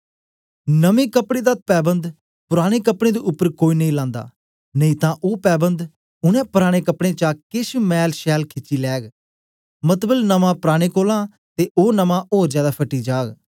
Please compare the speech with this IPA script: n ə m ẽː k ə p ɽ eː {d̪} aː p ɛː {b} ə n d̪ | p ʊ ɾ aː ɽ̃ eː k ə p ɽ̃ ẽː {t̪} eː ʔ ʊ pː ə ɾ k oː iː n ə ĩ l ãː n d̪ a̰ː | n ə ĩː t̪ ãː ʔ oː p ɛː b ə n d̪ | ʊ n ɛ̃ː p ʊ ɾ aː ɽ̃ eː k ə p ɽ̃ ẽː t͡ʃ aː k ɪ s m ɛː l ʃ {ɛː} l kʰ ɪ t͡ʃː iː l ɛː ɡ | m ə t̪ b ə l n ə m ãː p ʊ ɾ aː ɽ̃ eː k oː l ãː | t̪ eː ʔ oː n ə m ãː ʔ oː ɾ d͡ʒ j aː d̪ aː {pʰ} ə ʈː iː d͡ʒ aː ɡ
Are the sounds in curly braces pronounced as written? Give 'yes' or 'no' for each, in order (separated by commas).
yes, yes, no, yes, yes